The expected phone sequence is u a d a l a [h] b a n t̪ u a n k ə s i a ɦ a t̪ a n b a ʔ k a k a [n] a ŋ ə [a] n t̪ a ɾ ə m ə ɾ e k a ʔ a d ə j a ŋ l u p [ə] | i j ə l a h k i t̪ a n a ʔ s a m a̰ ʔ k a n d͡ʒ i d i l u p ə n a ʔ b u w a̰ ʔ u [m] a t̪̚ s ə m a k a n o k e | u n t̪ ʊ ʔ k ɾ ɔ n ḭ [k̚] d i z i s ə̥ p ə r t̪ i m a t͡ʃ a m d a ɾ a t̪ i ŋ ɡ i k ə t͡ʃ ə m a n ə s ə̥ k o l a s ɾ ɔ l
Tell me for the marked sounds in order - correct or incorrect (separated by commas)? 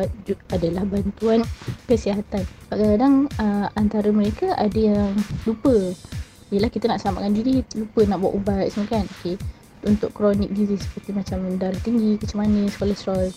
correct, incorrect, correct, correct, incorrect, correct